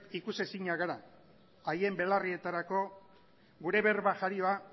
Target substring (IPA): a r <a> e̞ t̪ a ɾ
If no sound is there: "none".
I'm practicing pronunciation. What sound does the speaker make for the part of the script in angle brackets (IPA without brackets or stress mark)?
i